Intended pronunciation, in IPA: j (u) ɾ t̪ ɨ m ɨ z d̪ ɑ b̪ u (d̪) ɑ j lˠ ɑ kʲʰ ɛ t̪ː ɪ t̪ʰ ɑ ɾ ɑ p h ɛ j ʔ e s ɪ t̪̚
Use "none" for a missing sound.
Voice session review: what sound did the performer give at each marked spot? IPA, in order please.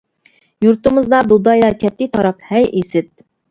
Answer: u, d̪

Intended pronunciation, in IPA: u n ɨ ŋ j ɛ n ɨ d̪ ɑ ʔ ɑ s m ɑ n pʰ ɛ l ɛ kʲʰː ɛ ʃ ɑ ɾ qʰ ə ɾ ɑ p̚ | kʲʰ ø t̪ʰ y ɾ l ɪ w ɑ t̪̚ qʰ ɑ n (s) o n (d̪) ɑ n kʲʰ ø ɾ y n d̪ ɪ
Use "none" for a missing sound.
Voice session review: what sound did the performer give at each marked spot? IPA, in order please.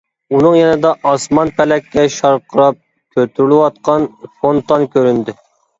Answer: f, t̪

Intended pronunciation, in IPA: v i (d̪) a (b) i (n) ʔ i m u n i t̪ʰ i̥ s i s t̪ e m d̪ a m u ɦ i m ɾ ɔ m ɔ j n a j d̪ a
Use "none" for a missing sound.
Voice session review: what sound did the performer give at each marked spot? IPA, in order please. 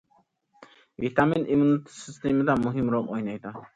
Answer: t̪, m, n

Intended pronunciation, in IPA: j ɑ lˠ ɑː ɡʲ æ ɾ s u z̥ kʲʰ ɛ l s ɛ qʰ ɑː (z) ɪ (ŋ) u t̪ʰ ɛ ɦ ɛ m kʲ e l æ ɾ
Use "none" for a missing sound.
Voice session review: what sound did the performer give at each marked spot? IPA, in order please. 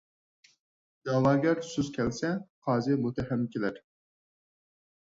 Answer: z, m

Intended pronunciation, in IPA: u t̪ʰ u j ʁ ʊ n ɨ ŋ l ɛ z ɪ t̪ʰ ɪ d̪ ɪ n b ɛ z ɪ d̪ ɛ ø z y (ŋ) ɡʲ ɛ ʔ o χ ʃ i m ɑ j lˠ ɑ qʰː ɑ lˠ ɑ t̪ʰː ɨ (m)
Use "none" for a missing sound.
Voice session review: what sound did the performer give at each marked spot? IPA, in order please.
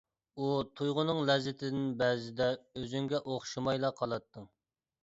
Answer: ŋ, ŋ

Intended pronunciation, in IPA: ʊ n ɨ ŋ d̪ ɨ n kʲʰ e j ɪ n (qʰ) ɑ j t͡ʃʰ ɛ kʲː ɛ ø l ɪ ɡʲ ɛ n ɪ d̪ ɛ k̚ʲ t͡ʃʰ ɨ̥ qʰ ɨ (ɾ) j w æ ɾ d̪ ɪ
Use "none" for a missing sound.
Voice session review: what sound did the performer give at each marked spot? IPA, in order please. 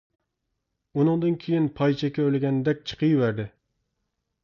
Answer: pʰ, none

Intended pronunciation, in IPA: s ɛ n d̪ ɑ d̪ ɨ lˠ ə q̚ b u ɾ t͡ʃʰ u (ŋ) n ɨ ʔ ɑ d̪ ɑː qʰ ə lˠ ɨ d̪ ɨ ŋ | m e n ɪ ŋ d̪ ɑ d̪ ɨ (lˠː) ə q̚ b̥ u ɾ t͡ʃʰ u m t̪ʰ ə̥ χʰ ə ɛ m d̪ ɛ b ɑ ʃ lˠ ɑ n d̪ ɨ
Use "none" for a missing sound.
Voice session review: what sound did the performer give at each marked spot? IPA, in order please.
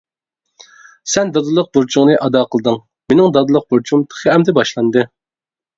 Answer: ŋ, lˠ

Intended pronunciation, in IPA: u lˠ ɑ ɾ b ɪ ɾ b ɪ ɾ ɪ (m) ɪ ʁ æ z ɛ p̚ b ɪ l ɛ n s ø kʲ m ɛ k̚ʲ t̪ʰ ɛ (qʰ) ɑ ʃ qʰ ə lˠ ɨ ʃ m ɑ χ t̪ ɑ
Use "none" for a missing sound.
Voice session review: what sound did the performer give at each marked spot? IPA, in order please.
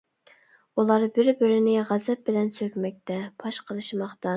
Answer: n, pʰ

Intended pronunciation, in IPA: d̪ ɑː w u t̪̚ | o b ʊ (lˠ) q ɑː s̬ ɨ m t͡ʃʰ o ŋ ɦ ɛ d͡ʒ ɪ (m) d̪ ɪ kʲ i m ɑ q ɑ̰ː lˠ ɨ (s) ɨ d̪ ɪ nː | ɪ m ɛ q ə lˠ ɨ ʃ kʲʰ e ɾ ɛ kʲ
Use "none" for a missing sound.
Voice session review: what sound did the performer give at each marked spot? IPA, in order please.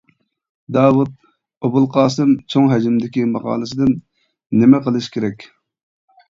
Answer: lˠ, m, s

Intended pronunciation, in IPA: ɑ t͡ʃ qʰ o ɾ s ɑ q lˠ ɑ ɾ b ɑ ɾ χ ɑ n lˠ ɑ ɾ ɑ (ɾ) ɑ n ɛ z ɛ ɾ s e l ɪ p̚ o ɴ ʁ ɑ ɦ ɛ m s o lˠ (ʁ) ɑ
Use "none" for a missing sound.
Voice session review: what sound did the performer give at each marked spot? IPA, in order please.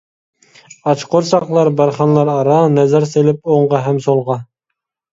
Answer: ɾ, ʁ

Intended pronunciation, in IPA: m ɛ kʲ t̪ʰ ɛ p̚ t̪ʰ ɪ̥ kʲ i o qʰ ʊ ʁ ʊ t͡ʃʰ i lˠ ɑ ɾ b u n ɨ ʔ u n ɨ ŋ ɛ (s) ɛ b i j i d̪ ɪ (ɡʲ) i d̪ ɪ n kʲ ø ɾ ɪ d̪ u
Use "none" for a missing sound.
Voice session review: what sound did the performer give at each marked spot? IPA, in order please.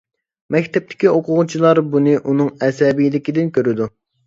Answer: s, kʲ

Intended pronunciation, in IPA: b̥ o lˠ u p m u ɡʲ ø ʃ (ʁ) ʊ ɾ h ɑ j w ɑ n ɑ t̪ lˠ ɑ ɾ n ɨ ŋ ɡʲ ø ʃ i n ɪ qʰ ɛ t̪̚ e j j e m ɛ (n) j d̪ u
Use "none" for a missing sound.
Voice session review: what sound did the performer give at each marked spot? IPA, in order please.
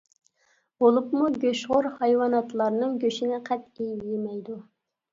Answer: ʁ, none

